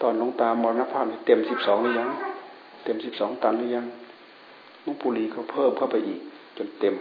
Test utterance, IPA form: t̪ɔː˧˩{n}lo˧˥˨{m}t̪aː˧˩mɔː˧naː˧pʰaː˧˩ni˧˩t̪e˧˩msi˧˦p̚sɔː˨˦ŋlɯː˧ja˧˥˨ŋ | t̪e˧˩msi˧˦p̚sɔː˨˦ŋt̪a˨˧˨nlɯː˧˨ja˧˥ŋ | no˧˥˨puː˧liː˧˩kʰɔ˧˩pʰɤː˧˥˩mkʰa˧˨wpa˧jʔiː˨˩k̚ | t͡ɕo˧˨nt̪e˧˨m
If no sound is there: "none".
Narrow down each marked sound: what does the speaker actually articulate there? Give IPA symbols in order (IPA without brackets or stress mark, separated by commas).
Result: n, ŋ